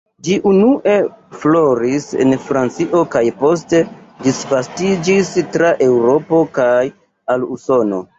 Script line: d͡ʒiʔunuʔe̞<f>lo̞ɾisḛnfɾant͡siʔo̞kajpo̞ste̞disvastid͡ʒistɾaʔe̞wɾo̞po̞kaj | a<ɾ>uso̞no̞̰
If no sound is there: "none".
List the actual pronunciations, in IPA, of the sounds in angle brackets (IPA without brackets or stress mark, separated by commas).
f, l